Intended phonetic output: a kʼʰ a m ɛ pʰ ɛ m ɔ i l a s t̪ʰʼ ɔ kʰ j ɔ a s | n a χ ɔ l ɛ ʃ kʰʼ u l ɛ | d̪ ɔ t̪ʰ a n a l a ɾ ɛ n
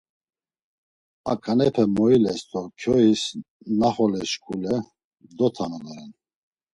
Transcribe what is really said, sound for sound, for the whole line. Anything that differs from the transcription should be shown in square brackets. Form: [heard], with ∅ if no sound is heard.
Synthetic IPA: a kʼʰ a [n] ɛ pʰ ɛ m ɔ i l [ɛ] s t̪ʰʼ ɔ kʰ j ɔ [i] s | n a χ ɔ l ɛ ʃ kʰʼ u l ɛ | d̪ ɔ t̪ʰ a n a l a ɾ ɛ n